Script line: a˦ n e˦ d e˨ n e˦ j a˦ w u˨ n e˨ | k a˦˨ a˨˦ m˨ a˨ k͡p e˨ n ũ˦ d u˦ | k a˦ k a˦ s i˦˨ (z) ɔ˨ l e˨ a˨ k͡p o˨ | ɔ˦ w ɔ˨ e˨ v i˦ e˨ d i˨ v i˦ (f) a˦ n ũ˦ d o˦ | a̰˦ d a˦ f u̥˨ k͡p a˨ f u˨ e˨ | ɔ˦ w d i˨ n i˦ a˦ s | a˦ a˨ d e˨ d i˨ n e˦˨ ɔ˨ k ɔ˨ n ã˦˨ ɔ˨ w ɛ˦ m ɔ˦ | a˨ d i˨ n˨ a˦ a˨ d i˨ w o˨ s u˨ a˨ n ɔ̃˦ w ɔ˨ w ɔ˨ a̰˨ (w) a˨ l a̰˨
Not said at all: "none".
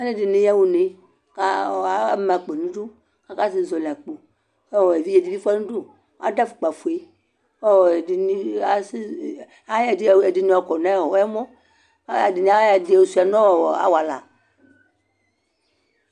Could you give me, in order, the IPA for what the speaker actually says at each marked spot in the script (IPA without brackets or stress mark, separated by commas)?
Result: z, f, w